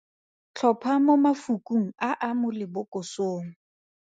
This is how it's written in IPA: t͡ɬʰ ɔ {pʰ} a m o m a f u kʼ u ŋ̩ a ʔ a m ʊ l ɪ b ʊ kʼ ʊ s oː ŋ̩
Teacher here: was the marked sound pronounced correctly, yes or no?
yes